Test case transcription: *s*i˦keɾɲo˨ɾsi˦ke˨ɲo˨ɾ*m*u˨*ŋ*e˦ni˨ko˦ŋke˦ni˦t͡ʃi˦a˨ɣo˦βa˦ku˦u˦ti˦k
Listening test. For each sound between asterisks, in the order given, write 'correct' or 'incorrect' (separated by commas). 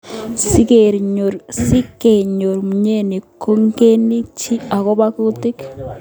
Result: correct, correct, incorrect